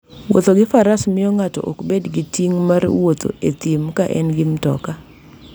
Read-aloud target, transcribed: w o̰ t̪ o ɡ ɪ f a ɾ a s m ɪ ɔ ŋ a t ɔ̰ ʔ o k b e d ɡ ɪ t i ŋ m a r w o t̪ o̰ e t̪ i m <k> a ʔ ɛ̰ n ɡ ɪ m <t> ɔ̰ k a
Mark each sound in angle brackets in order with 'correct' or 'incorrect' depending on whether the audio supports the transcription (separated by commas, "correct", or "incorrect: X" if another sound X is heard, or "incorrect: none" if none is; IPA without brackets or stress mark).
correct, correct